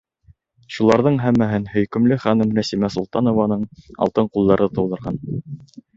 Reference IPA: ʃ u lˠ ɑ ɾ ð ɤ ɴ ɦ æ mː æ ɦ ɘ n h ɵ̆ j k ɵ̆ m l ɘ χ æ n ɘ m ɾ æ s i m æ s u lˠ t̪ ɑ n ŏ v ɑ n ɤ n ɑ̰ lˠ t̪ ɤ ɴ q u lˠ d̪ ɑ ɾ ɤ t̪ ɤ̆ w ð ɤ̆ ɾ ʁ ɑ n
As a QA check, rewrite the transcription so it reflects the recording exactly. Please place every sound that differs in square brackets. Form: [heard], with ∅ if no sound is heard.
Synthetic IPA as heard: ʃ u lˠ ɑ ɾ ð ɤ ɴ ɦ æ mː æ ɦ ɘ n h ɵ̆ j k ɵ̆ m l ɘ χ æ n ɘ m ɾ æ s i m æ s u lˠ t̪ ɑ n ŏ v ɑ n ɤ [ɴ] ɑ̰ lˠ t̪ ɤ ɴ q u lˠ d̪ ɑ ɾ ɤ t̪ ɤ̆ w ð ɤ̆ ɾ ʁ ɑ n